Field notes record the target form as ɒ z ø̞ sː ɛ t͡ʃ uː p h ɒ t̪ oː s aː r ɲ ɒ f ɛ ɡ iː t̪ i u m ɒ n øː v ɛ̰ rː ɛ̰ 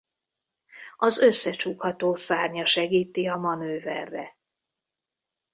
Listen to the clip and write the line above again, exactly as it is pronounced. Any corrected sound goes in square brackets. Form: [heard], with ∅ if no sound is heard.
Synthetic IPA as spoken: ɒ z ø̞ sː ɛ t͡ʃ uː [k] h ɒ t̪ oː s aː r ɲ ɒ [ʃ] ɛ ɡ iː t̪ i [ɒ] m ɒ n øː v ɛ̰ rː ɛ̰

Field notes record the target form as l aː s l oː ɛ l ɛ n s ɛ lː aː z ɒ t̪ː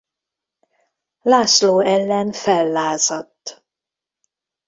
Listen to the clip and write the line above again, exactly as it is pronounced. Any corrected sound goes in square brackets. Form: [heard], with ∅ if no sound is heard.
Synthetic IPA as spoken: l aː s l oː ɛ [lː] ɛ n [f] ɛ lː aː z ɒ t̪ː

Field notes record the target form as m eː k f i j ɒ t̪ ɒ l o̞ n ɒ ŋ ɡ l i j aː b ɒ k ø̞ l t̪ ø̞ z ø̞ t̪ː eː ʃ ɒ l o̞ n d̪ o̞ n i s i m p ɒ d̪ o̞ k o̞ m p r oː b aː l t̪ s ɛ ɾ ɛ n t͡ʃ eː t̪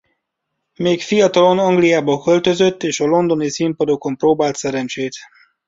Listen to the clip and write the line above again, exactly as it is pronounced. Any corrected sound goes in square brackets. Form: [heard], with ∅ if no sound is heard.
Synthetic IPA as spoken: m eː k f i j ɒ t̪ ɒ l o̞ n ɒ ŋ ɡ l i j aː b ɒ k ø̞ l t̪ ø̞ z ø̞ t̪ː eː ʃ ɒ l o̞ n d̪ o̞ n i s i m p ɒ d̪ o̞ k o̞ m p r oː b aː l t̪ s ɛ ɾ ɛ n t͡ʃ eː t̪

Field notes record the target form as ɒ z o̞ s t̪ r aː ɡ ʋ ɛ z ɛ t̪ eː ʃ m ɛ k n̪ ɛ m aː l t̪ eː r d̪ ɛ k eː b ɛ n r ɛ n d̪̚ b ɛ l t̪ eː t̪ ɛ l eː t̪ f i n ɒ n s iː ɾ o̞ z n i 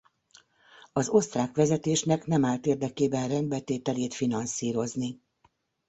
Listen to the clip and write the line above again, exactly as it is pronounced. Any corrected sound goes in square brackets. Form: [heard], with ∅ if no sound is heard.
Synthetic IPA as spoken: ɒ z o̞ s t̪ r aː [k] ʋ ɛ z ɛ t̪ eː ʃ [n] ɛ k n̪ ɛ m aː l t̪ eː r d̪ ɛ k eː b ɛ n r ɛ n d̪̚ b ɛ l t̪ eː t̪ ɛ l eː t̪ f i n ɒ n s iː ɾ o̞ z n i

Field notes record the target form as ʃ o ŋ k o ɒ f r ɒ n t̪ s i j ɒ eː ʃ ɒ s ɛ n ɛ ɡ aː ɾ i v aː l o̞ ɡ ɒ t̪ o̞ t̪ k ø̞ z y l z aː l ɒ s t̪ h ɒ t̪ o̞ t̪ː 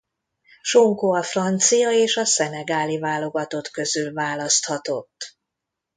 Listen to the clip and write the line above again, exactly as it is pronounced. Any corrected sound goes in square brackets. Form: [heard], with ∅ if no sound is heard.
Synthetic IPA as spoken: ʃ o ŋ k o ɒ f r ɒ n t̪ s i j ɒ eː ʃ ɒ s ɛ n ɛ ɡ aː [l] i v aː l o̞ ɡ ɒ t̪ o̞ t̪ k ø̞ z y l [v] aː l ɒ s t̪ h ɒ t̪ o̞ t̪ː

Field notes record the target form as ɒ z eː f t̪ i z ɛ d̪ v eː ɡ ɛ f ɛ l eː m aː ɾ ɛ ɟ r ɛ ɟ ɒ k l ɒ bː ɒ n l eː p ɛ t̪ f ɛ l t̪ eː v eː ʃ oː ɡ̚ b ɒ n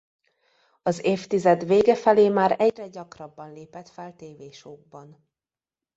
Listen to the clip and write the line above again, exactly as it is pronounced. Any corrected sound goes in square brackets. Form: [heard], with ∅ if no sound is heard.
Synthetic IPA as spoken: ɒ z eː f t̪ i z ɛ d̪ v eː ɡ ɛ f ɛ l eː m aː ɾ ɛ ɟ r ɛ ɟ ɒ k [r] ɒ bː ɒ n l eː p ɛ t̪ f ɛ l t̪ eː v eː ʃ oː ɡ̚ b ɒ n

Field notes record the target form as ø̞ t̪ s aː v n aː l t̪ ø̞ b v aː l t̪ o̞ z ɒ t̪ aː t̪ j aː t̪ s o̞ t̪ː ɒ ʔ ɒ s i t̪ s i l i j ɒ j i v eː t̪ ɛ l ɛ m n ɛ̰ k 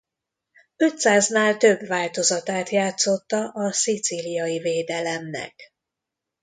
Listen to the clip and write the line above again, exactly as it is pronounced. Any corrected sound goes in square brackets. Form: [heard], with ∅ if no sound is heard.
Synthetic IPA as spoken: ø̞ t̪ s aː [z] n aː l t̪ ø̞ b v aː l t̪ o̞ z ɒ t̪ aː t̪ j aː t̪ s o̞ t̪ː ɒ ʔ ɒ s i t̪ s i l i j ɒ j i v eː [d̪] ɛ l ɛ m n ɛ̰ k

